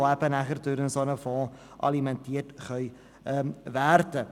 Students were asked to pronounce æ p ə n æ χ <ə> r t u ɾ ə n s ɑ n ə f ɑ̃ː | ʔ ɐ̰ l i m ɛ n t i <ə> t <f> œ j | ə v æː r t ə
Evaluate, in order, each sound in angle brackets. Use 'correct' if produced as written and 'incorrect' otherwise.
correct, correct, incorrect: χ

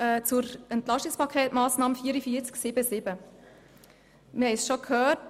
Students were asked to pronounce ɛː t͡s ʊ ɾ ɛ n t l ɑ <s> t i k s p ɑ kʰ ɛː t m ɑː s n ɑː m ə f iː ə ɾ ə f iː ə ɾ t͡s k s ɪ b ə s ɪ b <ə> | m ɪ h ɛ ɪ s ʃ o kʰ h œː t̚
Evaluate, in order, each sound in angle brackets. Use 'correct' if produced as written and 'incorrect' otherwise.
incorrect: ʃ, correct

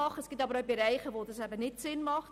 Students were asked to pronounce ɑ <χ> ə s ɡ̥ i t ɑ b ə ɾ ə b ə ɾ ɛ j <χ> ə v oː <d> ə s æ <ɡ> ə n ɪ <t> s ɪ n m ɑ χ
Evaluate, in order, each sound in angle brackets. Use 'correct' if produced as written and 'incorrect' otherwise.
correct, correct, correct, incorrect: b, correct

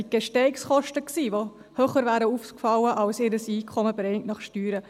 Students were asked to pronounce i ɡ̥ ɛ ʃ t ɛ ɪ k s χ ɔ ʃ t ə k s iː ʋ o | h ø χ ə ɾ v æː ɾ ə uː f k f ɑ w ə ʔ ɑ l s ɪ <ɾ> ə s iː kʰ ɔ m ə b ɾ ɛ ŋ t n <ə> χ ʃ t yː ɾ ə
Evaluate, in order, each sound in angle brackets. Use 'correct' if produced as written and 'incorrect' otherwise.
correct, incorrect: ɑ

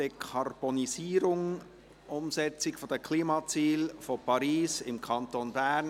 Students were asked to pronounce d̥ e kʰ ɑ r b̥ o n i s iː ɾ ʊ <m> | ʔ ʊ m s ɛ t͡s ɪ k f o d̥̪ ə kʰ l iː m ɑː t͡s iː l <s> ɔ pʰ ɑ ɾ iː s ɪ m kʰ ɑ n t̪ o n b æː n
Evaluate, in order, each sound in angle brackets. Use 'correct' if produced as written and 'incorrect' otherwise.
incorrect: ŋ, incorrect: f

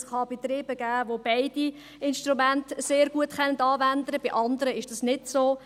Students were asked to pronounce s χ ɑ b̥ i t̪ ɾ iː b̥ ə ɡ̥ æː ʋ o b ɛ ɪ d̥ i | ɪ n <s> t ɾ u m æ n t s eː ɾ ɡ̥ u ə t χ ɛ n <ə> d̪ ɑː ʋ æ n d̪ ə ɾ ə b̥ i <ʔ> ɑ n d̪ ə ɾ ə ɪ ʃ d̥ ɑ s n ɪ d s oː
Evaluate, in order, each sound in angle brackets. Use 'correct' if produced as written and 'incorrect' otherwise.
incorrect: ʃ, correct, correct

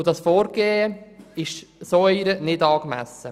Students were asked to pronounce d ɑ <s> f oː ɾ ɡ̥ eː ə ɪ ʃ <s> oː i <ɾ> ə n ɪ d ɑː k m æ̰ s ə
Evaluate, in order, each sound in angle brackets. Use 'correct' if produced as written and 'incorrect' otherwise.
correct, correct, correct

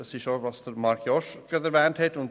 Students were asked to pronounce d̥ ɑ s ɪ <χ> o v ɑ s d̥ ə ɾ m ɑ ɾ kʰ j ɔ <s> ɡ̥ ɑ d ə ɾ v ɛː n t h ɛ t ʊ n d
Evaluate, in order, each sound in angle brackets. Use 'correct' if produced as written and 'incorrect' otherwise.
incorrect: ʃ, incorrect: ʃ

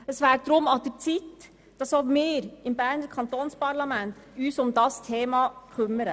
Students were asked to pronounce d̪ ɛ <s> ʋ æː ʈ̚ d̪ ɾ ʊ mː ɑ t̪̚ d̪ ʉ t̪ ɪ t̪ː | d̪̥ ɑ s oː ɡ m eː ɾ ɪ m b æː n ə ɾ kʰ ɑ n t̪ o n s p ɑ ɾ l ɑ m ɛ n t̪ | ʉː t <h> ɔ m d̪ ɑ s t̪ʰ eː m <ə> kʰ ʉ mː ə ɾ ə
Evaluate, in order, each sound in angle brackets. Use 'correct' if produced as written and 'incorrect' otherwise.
correct, incorrect: s, incorrect: ɑ

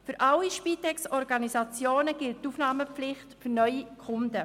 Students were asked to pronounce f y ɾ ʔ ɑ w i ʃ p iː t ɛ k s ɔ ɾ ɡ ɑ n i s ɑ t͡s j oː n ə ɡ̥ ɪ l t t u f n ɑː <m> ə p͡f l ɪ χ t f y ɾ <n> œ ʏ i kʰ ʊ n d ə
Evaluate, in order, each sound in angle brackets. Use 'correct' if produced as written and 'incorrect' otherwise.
correct, correct

